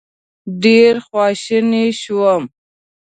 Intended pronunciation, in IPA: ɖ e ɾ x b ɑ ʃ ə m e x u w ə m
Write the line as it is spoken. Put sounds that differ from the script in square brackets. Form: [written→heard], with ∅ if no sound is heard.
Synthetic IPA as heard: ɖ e ɾ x [b→w] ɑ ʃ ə [m→n] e [x→ʃ] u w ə m